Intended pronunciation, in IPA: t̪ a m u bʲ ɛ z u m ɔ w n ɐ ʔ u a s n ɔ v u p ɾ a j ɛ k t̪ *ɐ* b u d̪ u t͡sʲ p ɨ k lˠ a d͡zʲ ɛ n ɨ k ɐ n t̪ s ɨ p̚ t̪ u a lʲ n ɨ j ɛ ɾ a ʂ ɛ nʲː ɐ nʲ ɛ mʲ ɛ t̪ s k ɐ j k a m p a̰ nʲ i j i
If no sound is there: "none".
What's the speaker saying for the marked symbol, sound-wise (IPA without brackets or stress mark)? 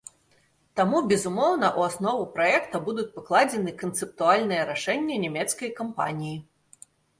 ɐ